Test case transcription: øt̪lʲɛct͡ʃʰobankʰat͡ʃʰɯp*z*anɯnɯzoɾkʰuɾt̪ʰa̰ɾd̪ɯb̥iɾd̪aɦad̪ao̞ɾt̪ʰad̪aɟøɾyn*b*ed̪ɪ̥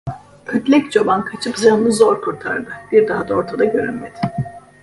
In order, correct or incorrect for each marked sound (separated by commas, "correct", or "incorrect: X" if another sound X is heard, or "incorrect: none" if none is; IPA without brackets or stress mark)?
correct, incorrect: m